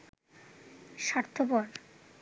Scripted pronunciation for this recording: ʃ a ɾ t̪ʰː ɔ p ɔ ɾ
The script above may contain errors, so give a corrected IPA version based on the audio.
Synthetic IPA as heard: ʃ a ɾ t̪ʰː o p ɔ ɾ